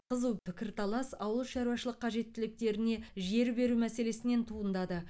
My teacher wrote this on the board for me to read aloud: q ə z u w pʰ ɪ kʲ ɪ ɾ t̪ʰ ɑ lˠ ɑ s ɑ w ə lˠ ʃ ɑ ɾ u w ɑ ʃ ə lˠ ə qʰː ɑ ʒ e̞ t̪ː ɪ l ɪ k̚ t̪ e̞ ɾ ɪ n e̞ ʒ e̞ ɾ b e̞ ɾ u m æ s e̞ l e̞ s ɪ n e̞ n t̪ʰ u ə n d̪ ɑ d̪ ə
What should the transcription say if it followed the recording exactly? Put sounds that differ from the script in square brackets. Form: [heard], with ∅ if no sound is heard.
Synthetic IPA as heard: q ə z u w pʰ ɪ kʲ ɪ ɾ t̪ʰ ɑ lˠ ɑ s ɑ w ə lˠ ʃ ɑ ɾ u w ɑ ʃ ə lˠ ə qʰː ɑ ʒ e̞ t̪ː ɪ l ɪ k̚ t̪ e̞ ɾ ɪ n e̞ ʒ e̞ ɾ b e̞ ɾ u m æ s e̞ l e̞ s ɪ n e̞ n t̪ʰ u ə n d̪ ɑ d̪ ə